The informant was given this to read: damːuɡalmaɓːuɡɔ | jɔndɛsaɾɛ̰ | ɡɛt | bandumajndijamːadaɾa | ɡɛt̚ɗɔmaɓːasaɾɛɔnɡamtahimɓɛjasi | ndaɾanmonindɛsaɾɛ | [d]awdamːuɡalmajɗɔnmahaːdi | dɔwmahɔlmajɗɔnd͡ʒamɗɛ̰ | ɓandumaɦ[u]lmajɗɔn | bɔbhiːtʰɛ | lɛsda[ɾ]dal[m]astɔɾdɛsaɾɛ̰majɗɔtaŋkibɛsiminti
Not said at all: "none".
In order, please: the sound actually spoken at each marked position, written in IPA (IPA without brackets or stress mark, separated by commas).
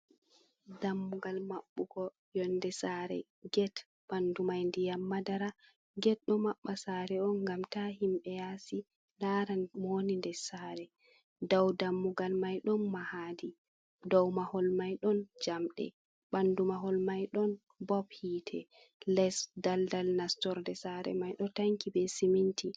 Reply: d, ɔ, l, n